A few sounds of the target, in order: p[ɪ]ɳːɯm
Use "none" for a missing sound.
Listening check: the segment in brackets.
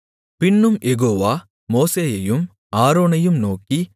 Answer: ɪ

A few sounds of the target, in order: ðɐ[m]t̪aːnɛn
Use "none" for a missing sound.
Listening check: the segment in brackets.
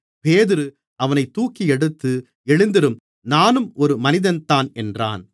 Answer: n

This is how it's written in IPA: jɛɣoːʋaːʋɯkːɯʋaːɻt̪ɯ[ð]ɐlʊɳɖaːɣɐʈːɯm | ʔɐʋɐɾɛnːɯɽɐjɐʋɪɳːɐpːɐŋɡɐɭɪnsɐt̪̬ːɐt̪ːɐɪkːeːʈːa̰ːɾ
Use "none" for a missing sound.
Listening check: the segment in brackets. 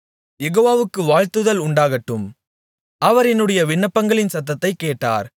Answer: ð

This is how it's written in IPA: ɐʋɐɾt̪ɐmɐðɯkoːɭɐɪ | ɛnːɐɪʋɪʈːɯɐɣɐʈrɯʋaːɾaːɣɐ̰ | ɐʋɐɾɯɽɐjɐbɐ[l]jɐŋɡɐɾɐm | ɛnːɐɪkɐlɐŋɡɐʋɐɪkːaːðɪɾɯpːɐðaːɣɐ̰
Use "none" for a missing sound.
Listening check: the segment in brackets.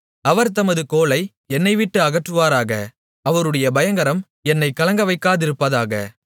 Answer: none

